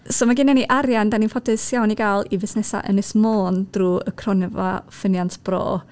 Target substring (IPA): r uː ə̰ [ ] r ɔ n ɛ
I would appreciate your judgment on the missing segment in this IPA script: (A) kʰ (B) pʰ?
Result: A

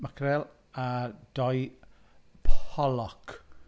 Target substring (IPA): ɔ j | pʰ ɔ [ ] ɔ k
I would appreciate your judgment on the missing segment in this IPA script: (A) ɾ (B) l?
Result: B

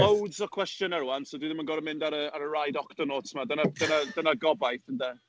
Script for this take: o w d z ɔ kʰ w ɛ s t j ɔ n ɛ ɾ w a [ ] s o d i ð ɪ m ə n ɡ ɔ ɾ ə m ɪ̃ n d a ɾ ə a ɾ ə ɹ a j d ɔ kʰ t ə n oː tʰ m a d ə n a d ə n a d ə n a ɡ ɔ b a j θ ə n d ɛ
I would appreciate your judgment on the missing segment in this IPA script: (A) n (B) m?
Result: A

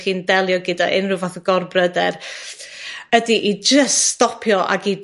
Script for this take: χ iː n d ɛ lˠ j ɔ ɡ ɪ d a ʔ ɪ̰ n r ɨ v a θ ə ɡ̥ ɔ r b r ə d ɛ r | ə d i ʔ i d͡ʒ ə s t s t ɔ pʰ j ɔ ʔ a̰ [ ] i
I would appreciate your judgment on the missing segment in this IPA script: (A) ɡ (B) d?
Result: A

